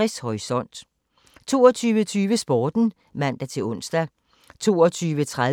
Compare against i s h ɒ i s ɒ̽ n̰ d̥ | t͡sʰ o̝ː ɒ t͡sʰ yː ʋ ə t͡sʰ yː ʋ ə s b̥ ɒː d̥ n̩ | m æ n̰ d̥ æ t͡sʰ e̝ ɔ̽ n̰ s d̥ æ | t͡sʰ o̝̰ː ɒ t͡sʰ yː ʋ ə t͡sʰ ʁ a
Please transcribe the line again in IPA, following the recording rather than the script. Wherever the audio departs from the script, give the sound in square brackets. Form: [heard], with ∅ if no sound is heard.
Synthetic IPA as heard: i s h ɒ i s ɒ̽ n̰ d̥ | t͡sʰ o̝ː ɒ t͡sʰ yː ʋ ə t͡sʰ yː ʋ ə s b̥ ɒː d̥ n̩ | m æ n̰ d̥ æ t͡sʰ e̝ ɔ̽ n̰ s d̥ æ | t͡sʰ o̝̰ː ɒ t͡sʰ yː ʋ ə t͡sʰ ʁ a

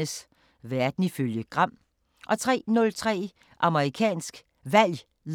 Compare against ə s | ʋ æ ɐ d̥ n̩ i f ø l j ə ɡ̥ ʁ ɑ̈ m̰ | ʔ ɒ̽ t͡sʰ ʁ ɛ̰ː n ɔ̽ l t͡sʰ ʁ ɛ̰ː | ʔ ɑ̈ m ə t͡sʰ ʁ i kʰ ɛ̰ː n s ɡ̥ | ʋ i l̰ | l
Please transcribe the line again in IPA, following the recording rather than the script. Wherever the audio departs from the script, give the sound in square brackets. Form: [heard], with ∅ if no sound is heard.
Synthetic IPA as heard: ə s | ʋ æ ɐ d̥ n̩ i f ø l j ə ɡ̥ ʁ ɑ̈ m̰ | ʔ ɒ̽ t͡sʰ ʁ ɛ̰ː n ɔ̽ l t͡sʰ ʁ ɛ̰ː | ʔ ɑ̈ m ə [∅] ʁ i kʰ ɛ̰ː n s ɡ̥ | ʋ [æ] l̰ | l

